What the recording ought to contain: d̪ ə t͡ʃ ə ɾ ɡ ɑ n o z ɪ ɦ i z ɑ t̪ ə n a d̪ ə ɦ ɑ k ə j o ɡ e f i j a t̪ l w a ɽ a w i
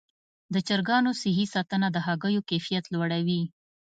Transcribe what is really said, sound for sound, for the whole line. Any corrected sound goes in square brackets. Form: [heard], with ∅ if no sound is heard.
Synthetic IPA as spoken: d̪ ə t͡ʃ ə ɾ ɡ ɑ n o [s] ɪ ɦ i [s] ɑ t̪ ə n a d̪ ə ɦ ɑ [ɡ] ə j o [k] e f i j a t̪ l w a ɽ a w i